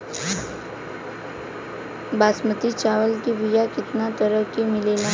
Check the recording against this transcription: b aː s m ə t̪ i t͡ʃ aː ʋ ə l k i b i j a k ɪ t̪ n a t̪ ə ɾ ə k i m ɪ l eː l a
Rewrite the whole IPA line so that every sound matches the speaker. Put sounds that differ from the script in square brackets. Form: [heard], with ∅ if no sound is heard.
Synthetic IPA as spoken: b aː s m ə t̪ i t͡ʃ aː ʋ ə l k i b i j a k ɪ t̪ n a t̪ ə ɾ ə k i m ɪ l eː l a